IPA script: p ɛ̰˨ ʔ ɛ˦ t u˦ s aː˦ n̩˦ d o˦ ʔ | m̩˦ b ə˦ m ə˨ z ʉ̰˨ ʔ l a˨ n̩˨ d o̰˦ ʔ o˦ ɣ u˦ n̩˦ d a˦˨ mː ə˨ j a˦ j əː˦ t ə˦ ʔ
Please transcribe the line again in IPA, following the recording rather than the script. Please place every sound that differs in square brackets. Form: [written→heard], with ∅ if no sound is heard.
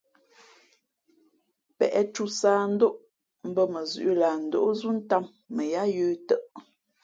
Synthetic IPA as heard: p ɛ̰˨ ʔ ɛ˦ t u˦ s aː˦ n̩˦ d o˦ ʔ | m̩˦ b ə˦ m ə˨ z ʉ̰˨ ʔ l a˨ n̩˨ d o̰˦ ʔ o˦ [ɣ→z] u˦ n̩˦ [d→t] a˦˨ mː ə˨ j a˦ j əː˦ t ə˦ ʔ